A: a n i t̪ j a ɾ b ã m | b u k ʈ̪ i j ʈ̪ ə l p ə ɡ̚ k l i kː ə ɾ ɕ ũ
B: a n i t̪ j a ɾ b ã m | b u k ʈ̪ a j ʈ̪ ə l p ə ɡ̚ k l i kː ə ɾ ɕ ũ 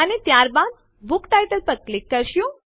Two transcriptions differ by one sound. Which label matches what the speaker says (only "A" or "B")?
B